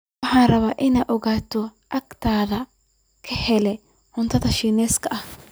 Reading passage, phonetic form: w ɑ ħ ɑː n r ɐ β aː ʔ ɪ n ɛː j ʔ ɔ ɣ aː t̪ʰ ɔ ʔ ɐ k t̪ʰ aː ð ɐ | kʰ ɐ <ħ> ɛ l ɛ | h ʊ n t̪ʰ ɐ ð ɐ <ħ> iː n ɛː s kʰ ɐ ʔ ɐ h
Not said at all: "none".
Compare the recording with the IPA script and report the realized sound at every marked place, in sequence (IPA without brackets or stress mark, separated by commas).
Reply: h, ʃ